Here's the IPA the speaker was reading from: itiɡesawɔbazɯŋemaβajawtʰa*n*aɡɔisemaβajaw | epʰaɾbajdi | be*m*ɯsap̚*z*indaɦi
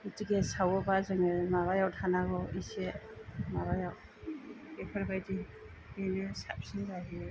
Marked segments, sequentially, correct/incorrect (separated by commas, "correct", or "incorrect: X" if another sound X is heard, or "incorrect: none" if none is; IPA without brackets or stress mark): correct, incorrect: n, incorrect: s